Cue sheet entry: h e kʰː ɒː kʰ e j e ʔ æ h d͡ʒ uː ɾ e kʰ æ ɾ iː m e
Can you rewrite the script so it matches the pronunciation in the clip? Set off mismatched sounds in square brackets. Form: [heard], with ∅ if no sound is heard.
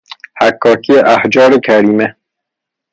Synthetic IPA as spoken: h [æ] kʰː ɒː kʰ [i] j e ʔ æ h d͡ʒ [ɒː] ɾ e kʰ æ ɾ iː m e